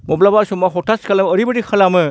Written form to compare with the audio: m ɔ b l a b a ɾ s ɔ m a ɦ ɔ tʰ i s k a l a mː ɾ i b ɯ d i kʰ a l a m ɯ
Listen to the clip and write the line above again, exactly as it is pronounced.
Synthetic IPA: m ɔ b l a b a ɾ s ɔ m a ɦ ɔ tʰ a s k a l a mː ɾ i b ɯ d i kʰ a l a m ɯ